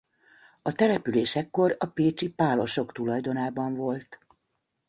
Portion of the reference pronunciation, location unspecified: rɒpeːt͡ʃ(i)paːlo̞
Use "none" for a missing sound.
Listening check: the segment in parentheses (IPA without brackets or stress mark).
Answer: i